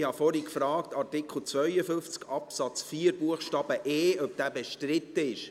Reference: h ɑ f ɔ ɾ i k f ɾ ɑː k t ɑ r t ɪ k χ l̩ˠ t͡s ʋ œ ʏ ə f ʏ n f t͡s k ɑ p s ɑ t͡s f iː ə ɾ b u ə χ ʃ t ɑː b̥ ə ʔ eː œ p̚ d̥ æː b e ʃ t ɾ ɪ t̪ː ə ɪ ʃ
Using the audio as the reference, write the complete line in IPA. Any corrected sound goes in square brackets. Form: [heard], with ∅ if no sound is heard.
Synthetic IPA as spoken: h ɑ f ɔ ɾ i k f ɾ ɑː k t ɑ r t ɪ k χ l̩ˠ t͡s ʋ œ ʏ ə f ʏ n f t͡s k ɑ p s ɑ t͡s f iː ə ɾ b u ə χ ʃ t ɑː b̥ ə ʔ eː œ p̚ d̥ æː b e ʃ t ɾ ɪ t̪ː ə ɪ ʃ